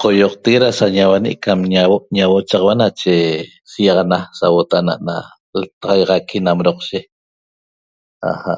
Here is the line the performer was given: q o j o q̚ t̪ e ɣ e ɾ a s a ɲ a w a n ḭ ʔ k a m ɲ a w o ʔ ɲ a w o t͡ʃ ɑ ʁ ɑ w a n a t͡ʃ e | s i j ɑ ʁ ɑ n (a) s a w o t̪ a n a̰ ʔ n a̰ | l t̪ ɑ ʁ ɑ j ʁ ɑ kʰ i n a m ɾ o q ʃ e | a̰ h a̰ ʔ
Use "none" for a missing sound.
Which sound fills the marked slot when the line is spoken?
a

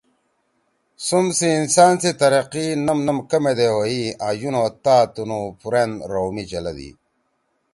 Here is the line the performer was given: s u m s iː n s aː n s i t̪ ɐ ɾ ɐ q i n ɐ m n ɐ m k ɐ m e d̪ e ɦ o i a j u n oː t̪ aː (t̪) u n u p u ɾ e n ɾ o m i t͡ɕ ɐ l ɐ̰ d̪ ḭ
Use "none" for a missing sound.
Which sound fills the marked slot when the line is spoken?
t̪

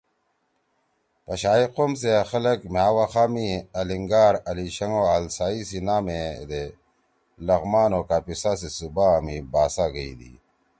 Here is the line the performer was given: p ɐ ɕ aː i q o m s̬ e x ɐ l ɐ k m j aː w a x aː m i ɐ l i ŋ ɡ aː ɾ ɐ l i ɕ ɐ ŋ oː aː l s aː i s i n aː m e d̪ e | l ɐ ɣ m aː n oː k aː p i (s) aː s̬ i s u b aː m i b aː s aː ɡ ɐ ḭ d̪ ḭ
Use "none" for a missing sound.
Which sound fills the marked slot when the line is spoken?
s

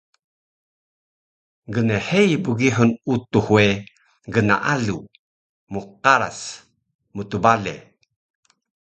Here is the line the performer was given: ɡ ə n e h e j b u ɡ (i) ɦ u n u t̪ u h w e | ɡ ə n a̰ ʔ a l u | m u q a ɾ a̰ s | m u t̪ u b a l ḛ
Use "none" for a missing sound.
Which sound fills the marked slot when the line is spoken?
i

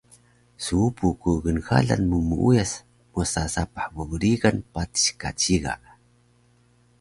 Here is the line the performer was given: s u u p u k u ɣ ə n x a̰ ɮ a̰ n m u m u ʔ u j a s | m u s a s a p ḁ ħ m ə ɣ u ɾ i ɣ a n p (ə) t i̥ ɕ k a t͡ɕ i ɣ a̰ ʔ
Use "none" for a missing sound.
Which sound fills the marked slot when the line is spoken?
a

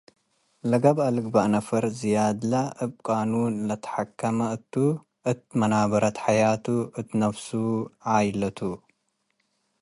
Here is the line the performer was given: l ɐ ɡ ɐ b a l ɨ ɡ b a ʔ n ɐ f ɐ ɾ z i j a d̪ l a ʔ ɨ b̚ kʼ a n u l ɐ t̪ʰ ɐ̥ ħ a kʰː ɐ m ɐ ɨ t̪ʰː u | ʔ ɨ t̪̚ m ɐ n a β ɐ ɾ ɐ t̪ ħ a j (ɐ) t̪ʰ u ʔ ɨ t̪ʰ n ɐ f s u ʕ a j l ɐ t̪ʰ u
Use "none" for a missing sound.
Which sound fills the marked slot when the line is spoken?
a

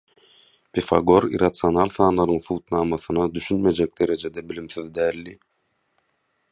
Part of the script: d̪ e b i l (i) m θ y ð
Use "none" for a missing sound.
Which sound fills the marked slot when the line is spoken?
i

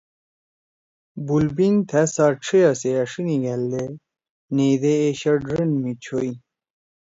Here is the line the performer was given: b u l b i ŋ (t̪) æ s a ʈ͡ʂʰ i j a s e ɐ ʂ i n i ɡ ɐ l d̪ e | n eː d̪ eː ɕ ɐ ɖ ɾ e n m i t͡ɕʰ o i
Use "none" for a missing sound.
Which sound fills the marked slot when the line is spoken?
t̪ʰ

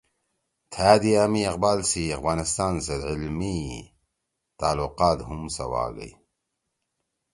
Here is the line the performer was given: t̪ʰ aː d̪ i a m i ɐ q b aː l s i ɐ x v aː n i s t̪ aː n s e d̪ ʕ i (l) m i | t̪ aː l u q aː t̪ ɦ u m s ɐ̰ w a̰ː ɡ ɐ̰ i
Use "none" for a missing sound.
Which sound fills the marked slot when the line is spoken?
l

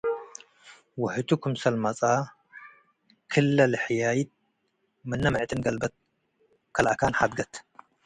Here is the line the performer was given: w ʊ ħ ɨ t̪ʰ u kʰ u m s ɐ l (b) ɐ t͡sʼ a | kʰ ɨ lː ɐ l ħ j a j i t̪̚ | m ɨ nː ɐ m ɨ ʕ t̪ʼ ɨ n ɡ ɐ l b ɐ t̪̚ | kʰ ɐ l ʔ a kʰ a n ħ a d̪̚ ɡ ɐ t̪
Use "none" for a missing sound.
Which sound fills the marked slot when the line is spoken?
m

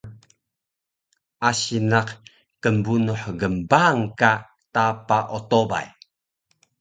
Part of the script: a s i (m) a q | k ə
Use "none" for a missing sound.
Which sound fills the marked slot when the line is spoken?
n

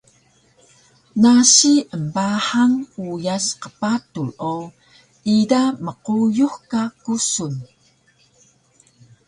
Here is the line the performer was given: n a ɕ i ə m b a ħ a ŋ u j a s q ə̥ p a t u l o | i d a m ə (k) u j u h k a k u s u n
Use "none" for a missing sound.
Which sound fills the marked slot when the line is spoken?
q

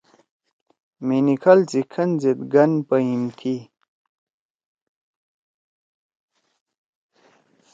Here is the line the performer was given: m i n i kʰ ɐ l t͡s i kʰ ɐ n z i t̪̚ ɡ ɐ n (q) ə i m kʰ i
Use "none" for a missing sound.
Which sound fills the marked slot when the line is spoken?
p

